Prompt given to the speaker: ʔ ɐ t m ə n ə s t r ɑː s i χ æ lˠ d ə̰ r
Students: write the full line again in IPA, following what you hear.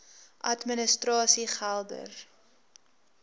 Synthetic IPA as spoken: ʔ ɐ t m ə n ə s t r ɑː s i χ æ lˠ d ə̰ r